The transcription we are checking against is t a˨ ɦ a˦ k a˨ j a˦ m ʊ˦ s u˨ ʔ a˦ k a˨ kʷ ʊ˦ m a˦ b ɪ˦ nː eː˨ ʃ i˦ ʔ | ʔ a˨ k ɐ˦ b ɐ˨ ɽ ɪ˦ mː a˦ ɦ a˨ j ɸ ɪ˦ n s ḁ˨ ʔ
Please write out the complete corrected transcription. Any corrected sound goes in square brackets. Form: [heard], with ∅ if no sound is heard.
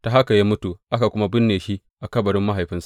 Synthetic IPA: t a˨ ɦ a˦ k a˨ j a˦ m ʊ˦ [t] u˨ ʔ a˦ k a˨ kʷ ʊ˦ m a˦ b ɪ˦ nː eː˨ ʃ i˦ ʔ | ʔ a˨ k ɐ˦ b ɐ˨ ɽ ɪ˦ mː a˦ ɦ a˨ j ɸ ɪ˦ n s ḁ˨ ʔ